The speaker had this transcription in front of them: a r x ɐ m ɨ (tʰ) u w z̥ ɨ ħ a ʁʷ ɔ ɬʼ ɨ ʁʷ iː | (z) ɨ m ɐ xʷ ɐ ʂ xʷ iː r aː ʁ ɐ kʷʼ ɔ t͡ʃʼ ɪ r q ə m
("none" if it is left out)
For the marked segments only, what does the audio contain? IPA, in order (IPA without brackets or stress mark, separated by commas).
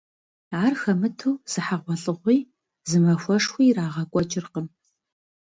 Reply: tʰ, z